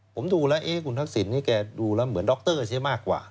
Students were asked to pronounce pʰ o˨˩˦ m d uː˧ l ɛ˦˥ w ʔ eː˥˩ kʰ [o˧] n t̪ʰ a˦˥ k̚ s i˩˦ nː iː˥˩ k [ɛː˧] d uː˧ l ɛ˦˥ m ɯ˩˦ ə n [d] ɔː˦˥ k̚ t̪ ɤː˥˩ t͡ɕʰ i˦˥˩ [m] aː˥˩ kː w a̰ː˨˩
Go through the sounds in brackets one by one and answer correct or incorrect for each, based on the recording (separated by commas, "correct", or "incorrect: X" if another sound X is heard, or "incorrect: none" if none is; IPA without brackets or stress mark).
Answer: incorrect: u˧, correct, correct, correct